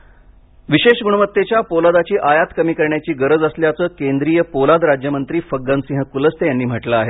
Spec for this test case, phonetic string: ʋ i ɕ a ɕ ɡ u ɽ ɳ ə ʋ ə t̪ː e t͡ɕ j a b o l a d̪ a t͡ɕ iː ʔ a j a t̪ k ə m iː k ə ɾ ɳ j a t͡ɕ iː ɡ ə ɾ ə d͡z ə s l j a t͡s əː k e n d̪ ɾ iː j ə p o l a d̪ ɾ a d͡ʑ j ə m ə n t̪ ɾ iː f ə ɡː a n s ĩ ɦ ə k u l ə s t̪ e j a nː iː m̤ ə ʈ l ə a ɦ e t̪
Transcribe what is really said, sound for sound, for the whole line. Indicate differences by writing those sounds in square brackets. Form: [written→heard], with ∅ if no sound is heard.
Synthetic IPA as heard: ʋ i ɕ [a→e] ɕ ɡ u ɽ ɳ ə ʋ ə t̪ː e t͡ɕ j a [b→p] o l a d̪ a t͡ɕ iː ʔ a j a t̪ k ə m iː k ə ɾ ɳ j a t͡ɕ iː ɡ ə ɾ ə d͡z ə s l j a t͡s əː k e n d̪ ɾ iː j ə p o l a d̪ ɾ a d͡ʑ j ə m ə n t̪ ɾ iː f ə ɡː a n s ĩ ɦ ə k u l ə s t̪ e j a nː iː m̤ ə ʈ l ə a ɦ e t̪

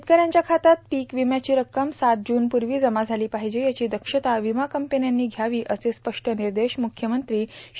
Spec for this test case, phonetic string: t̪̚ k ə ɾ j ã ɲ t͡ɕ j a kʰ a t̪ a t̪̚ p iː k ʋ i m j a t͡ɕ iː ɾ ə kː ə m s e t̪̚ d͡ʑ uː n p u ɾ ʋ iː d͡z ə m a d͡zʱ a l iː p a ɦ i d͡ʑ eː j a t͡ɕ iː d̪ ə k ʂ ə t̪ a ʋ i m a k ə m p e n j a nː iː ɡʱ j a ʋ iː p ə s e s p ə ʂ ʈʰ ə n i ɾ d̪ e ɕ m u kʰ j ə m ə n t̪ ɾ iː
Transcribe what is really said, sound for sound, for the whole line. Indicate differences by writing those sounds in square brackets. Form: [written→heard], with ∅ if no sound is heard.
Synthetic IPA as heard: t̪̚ k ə ɾ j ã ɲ t͡ɕ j a kʰ a t̪ a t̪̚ p iː k ʋ i m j a t͡ɕ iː ɾ ə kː ə m s [e→a] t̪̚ d͡ʑ uː n p u ɾ ʋ iː d͡z ə m a d͡zʱ a l iː p a ɦ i d͡ʑ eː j a t͡ɕ iː d̪ ə k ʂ ə t̪ a ʋ i m a k ə m p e n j a nː iː ɡʱ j a ʋ iː [p→ʔ] ə s e s p ə ʂ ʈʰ ə n i ɾ d̪ e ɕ m u kʰ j ə m ə n t̪ ɾ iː

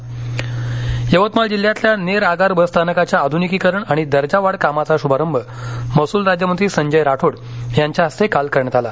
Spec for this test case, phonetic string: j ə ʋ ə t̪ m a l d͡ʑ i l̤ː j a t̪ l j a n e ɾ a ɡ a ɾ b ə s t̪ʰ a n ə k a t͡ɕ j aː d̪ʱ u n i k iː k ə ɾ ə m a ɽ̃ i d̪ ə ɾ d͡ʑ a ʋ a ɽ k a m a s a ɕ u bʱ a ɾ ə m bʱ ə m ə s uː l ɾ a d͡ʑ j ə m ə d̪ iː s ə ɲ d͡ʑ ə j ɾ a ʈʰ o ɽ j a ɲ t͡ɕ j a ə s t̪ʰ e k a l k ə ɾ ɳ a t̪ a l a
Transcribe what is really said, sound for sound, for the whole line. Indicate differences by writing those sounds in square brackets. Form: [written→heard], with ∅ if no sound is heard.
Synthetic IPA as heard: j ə ʋ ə t̪ m a l d͡ʑ i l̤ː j a t̪ l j a n e ɾ a ɡ a ɾ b ə s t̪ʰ a n ə k a t͡ɕ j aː d̪ʱ u n i k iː k ə ɾ ə [m→ɳ] a ɽ̃ i d̪ ə ɾ d͡ʑ a ʋ a ɽ k a m a [s→t͡s] a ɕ u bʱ a ɾ ə m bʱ ə m ə s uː l ɾ a d͡ʑ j ə m ə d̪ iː s ə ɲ d͡ʑ ə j ɾ a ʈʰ o ɽ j a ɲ t͡ɕ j a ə s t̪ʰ e k a l k ə ɾ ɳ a t̪ a l a

